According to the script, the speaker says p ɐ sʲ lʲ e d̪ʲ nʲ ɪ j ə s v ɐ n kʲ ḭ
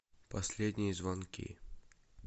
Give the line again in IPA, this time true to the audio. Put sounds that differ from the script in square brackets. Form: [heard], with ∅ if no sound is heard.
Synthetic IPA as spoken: p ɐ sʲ lʲ e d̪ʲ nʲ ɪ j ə [z] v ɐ n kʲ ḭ